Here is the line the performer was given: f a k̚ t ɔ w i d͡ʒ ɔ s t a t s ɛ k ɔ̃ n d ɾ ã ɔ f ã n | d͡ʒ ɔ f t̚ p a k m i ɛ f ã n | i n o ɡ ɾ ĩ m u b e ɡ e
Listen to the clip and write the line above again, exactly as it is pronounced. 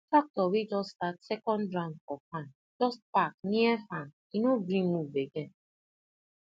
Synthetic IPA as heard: f a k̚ t ɔ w i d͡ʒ ɔ s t a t s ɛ k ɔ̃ n d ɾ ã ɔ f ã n | d͡ʒ ɔ s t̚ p a k n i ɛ f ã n | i n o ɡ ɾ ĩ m u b e ɡ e